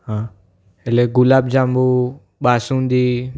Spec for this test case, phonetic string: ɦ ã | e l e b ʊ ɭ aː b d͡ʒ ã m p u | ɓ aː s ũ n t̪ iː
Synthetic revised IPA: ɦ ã | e l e ɡ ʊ l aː b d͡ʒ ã m b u | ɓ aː s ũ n d̪ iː